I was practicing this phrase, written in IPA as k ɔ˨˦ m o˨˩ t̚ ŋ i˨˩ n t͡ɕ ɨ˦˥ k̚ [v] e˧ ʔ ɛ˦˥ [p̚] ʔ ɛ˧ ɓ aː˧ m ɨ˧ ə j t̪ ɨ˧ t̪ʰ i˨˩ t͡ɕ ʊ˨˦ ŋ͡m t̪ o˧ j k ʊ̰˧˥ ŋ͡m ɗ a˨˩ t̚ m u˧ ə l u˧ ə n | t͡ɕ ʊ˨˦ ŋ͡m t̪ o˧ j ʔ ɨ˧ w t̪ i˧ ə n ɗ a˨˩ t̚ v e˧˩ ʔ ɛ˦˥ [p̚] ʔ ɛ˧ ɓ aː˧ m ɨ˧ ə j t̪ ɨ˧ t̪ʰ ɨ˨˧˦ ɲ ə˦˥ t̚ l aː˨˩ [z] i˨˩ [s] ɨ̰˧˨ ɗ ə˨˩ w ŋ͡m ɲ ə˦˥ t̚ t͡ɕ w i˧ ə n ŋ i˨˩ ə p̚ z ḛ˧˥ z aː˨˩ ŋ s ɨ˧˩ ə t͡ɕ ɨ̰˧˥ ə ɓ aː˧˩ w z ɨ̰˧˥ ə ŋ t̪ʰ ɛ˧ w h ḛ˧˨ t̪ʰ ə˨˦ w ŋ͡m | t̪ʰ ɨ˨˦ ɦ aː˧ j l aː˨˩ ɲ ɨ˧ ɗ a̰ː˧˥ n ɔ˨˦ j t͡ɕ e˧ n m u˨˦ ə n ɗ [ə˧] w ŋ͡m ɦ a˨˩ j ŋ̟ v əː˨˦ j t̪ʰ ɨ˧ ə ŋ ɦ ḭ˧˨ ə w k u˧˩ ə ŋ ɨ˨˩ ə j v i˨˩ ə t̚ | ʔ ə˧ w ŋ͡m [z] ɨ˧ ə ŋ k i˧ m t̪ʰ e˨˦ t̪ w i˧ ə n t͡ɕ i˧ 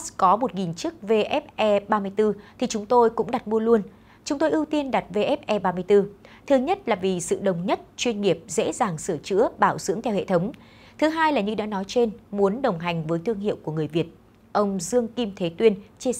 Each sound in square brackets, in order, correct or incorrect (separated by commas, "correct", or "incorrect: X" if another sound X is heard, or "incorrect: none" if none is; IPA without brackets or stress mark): correct, correct, correct, incorrect: v, correct, incorrect: ə˨˩, correct